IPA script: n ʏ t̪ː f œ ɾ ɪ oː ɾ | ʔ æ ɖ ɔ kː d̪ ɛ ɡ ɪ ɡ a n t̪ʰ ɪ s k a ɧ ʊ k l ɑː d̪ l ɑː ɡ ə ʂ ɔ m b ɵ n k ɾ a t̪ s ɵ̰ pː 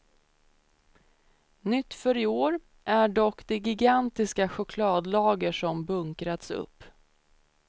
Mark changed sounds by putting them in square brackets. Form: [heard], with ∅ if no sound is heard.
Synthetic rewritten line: n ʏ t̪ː f œ ɾ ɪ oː ɾ | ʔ æ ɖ ɔ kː d̪ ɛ ɡ ɪ ɡ a n [t̪] ɪ s k a ɧ ʊ [kʰ] l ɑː d̪ l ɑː ɡ ə ʂ ɔ m b ɵ [ŋ] k ɾ a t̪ s ɵ̰ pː